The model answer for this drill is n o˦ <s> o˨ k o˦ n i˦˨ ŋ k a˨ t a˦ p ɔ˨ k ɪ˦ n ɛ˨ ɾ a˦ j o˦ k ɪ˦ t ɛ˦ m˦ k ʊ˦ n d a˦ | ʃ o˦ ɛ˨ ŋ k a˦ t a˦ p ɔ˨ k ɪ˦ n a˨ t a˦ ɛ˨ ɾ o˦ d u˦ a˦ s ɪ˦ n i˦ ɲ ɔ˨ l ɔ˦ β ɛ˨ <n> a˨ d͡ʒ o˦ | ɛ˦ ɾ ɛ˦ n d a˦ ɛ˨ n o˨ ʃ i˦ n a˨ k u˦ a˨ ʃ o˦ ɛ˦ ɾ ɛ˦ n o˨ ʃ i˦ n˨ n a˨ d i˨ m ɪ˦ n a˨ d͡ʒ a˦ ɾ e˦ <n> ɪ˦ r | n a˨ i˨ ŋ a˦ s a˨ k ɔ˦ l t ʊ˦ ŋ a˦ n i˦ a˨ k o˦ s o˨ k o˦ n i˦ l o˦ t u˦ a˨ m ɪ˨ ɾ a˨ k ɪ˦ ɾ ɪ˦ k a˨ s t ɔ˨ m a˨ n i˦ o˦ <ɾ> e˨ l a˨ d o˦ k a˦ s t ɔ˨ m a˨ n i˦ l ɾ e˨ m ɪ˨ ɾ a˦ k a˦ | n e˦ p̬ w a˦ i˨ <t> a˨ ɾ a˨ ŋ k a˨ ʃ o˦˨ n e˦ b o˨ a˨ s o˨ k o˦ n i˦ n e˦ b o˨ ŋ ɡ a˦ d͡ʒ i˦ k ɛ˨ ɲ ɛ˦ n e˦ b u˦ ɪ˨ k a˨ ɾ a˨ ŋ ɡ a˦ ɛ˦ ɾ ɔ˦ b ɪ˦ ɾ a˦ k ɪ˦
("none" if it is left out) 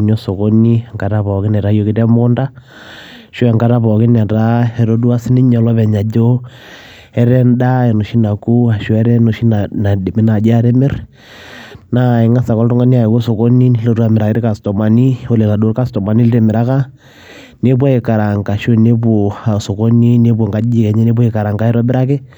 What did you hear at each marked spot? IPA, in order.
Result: s, ɲ, m, l, k

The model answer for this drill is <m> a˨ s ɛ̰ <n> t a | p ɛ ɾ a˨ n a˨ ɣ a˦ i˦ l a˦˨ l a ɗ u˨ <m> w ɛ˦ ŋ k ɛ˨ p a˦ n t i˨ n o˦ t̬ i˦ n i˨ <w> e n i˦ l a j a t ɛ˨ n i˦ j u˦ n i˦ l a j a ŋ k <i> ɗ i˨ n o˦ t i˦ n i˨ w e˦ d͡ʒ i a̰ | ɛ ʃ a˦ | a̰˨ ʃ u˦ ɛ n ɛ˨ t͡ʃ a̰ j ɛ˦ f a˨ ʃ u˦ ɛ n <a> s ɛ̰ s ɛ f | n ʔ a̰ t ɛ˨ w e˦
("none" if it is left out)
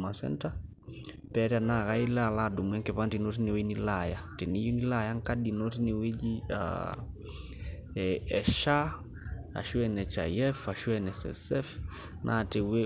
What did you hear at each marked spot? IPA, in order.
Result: m, n, m, w, a, ɛ

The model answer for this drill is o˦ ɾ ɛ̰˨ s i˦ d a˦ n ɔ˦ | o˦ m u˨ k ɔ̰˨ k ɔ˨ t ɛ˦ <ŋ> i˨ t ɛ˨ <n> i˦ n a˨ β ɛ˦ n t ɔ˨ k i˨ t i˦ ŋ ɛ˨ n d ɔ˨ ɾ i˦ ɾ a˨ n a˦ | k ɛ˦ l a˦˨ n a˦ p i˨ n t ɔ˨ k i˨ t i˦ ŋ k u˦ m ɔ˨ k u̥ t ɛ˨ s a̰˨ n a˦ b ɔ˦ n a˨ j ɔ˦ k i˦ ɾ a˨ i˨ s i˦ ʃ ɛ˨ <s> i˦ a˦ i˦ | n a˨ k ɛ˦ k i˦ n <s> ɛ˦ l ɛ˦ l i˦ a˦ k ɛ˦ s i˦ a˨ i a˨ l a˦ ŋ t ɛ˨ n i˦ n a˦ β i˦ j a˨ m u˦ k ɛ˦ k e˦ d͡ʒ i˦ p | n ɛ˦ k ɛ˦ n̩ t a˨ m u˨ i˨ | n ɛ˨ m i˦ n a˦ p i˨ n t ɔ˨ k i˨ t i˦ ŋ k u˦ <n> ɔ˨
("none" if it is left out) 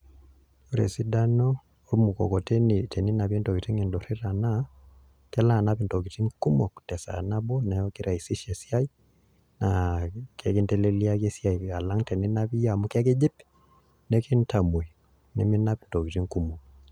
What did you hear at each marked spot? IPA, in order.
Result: n, n, s, t, m

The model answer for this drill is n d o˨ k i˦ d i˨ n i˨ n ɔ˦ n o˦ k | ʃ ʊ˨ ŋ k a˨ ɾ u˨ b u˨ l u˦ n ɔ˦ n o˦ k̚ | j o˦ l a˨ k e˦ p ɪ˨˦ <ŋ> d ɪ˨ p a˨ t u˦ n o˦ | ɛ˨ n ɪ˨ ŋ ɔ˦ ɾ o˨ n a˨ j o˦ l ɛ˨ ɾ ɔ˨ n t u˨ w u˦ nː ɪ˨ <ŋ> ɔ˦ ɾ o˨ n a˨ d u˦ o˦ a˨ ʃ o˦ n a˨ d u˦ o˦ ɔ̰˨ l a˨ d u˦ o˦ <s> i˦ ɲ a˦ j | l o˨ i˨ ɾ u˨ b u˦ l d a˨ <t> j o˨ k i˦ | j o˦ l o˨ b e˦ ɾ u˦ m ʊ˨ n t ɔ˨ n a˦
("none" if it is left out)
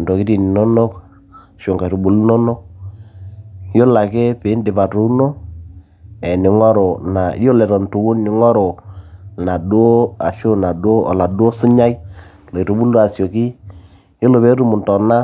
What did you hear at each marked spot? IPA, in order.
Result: n, ŋ, s, s

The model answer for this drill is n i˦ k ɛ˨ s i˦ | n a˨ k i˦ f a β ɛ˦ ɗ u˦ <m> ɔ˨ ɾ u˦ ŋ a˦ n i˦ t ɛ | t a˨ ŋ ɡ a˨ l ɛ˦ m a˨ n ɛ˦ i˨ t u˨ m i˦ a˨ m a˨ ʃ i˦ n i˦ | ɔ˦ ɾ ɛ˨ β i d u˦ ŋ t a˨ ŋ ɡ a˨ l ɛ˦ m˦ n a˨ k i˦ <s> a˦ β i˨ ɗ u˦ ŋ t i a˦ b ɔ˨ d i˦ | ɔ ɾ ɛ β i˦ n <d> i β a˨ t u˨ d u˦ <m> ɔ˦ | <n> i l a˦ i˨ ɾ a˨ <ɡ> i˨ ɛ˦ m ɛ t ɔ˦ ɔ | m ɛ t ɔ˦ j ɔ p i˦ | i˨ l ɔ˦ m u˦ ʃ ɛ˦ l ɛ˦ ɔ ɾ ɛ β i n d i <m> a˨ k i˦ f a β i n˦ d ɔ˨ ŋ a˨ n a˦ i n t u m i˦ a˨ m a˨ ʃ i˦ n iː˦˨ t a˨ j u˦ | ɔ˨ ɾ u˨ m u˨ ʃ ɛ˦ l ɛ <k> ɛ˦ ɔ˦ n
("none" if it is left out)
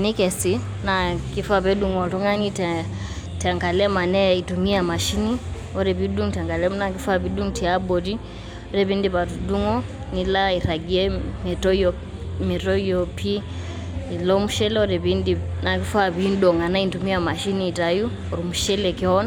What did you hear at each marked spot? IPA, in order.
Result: ŋ, f, d, ŋ, n, ɡ, n, k

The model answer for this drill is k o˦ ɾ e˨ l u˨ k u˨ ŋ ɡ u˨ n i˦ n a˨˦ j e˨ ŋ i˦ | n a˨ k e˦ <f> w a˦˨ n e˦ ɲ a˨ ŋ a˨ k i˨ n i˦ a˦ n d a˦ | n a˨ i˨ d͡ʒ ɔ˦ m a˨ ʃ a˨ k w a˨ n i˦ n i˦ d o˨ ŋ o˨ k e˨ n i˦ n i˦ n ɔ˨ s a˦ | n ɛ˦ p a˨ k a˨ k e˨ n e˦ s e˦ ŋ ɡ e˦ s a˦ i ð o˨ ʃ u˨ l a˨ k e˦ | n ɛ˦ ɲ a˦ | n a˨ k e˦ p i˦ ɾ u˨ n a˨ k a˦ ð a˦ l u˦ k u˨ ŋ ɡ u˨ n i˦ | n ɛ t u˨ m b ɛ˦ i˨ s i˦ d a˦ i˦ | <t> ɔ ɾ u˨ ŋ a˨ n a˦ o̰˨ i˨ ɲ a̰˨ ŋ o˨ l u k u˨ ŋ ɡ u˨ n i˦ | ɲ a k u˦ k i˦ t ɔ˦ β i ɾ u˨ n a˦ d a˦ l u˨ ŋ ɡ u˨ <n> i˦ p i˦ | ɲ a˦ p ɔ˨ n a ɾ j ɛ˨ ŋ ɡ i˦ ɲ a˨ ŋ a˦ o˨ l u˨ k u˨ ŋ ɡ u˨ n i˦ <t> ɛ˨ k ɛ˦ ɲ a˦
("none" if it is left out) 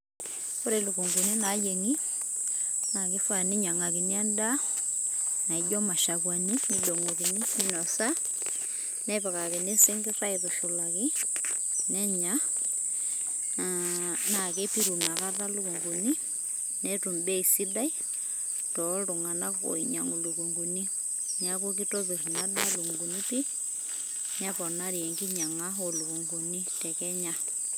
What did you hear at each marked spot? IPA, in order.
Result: f, t, n, t

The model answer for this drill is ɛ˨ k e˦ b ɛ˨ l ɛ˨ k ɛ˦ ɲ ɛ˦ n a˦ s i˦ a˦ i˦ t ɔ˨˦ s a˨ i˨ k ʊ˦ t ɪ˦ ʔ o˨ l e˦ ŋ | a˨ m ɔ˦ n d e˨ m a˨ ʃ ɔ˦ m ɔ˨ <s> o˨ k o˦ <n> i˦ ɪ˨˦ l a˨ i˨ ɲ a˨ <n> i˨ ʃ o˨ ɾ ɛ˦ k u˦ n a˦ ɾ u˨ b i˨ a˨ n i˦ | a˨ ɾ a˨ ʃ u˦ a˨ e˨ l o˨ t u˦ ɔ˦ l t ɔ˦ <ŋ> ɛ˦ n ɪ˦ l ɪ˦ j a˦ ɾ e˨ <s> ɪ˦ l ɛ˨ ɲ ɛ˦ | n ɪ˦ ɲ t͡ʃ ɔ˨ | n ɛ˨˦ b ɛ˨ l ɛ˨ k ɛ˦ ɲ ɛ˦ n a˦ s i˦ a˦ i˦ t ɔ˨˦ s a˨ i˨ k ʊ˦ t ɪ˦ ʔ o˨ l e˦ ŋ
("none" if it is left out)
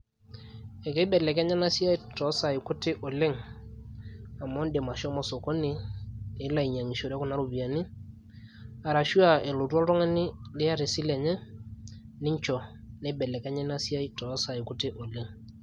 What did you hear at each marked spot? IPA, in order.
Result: s, n, ŋ, ŋ, s

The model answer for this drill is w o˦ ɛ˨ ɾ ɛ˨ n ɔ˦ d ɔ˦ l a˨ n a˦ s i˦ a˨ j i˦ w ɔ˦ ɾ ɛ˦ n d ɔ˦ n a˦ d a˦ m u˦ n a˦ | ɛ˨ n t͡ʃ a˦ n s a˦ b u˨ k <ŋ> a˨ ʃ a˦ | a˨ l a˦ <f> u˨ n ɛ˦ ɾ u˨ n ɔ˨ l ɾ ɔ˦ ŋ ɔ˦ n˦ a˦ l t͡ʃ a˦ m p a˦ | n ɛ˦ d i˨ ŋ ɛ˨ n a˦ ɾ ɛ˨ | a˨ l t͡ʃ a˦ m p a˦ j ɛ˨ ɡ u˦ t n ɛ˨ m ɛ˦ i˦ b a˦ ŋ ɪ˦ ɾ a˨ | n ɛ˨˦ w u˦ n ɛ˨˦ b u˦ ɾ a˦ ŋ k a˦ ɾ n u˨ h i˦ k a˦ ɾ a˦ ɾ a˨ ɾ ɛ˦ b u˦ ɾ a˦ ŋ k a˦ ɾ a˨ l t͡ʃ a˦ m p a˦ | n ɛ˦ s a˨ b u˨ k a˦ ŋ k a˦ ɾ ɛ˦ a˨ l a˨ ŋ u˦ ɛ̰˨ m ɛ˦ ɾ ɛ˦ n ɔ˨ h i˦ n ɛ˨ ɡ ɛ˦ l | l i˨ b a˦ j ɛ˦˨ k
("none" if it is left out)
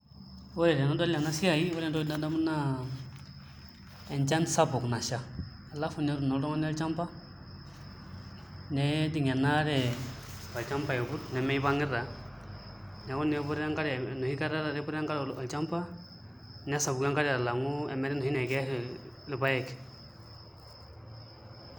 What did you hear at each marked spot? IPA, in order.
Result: n, f

